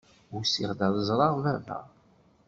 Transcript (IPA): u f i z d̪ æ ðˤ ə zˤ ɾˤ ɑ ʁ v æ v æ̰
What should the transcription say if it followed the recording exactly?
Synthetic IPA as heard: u s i ʁ d̪ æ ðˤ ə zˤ ɾˤ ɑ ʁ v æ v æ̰